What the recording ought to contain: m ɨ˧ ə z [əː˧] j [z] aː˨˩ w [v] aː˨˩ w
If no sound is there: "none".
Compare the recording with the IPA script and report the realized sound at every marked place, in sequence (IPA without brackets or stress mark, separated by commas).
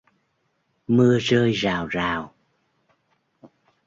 əː˧, z, z